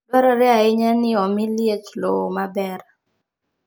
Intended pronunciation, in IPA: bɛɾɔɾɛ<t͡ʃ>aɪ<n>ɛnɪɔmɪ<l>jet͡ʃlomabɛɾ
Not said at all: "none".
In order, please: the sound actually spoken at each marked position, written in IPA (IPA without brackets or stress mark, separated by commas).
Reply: none, ɲ, l